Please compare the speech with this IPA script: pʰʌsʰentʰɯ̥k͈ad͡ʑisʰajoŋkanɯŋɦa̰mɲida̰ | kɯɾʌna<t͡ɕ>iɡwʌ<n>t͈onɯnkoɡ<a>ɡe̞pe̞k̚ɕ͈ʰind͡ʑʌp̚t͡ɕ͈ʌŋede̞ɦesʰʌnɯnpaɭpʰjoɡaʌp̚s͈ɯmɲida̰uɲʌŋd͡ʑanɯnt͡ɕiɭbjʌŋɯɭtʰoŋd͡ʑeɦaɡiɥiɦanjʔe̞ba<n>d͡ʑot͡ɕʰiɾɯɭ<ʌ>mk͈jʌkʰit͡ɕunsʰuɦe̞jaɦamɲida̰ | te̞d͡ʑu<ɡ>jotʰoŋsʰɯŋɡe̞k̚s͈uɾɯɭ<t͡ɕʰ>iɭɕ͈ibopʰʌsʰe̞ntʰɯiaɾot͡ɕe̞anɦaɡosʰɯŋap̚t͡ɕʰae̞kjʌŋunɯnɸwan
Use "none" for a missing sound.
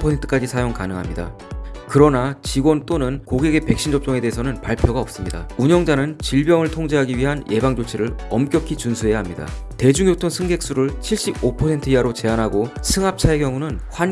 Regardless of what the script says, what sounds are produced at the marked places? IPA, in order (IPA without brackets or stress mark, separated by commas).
t͡ɕ, n, e, ŋ, ʌ, ŋ, t͡ɕʰ